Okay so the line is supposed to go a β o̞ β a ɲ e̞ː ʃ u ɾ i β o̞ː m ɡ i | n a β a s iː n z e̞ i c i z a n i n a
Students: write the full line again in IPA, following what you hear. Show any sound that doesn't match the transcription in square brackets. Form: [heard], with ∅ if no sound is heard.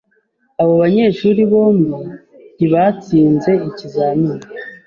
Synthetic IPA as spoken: a β o̞ β a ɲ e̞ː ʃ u ɾ i β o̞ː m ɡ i | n [i] β a [t͡s] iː n z e̞ i c i z a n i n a